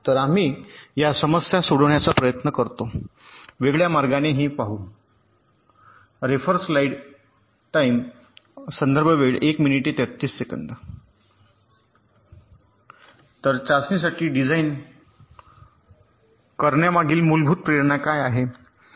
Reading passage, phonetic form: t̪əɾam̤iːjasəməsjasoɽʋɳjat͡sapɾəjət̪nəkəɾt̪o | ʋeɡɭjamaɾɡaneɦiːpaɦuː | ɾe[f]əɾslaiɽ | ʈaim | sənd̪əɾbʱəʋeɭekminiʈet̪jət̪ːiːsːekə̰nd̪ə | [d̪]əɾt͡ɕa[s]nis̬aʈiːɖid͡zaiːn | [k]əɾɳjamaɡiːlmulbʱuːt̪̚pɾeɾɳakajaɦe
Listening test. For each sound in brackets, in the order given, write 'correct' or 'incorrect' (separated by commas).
correct, incorrect, correct, correct